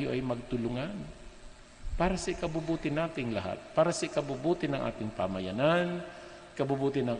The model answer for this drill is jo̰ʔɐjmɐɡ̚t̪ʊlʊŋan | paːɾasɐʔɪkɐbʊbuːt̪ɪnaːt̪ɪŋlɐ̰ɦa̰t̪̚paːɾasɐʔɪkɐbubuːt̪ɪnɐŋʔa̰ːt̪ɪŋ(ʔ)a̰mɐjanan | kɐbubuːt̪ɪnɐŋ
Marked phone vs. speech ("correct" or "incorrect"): incorrect